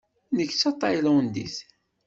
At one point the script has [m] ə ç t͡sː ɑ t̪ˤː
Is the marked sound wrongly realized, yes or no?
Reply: yes